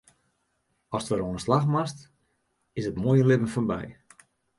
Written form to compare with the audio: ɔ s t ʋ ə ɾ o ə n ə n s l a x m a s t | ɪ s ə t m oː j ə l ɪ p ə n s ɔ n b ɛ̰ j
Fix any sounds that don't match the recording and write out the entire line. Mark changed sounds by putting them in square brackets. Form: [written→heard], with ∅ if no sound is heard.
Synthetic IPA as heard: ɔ s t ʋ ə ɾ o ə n ə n s l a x m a s t | ɪ s ə t m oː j ə l ɪ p ə n [s→f] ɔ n b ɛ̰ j